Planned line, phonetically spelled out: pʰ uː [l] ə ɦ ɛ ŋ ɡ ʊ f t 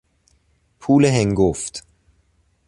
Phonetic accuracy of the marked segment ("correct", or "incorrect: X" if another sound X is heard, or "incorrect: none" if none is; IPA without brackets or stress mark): correct